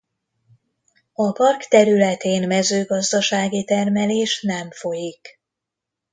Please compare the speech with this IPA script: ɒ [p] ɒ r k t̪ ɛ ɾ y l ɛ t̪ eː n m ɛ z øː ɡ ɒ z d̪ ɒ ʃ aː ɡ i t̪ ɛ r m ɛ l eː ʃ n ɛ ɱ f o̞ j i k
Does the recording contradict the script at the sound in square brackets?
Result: no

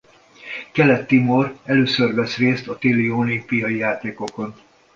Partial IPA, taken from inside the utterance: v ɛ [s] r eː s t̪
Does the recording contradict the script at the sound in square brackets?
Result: no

